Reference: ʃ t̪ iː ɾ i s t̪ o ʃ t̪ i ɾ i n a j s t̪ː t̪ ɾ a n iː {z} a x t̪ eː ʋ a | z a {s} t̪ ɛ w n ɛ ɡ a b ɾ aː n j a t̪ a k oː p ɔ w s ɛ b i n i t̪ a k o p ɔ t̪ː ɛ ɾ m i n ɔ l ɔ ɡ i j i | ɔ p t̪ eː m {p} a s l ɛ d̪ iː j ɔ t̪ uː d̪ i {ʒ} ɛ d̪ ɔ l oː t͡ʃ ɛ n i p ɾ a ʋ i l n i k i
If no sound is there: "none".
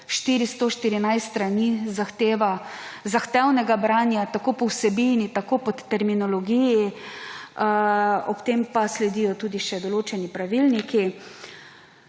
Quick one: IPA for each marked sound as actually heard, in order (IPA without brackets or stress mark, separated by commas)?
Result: z, x, p, ʃ